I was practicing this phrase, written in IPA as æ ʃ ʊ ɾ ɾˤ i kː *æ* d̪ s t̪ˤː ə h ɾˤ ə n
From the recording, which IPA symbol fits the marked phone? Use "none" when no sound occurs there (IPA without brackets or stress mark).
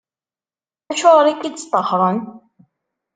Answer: i